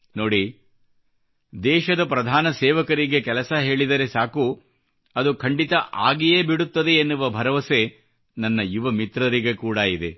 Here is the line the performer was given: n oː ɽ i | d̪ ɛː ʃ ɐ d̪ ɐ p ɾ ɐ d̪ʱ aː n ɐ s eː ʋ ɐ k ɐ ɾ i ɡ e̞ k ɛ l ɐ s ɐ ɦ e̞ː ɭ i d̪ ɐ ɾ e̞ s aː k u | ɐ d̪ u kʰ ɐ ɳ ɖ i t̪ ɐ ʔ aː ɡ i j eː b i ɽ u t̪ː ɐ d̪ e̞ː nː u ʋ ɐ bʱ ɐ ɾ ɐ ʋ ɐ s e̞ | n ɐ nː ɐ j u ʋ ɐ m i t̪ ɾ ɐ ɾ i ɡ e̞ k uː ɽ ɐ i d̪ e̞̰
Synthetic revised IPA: n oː ɽ i | d̪ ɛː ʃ ɐ d̪ ɐ p ɾ ɐ d̪ʱ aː n ɐ s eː ʋ ɐ k ɐ ɾ i ɡ e̞ k ɛ l ɐ s ɐ ɦ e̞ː ɭ i d̪ ɐ ɾ e̞ s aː k u | ɐ d̪ u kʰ ɐ ɳ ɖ i t̪ ɐ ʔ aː ɡ i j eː b i ɽ u t̪ː ɐ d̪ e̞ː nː u ʋ ɐ bʱ ɐ ɾ ɐ ʋ ɐ s e̞ | n ɐ nː ɐ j u ʋ ɐ m i t̪ ɾ ɐ ɾ i ɡ e̞ k uː ɽ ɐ i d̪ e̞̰